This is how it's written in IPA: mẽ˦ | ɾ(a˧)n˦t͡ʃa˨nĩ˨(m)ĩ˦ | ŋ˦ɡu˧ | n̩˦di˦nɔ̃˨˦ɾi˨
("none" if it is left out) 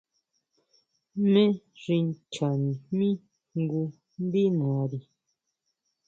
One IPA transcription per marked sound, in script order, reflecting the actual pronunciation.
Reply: i˧, m

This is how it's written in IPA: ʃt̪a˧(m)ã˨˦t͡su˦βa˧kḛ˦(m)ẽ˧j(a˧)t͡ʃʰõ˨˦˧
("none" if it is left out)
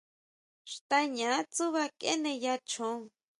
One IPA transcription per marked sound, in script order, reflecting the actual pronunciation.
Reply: ɲ, n, a˧

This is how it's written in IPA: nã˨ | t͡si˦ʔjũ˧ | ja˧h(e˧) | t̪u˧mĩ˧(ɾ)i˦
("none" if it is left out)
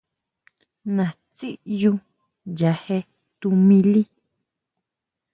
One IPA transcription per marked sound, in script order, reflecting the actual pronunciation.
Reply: e˧, l

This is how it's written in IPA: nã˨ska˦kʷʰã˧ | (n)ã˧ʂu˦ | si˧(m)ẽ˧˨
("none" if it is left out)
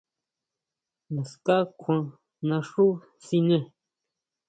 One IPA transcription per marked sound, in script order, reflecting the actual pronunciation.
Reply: n, n

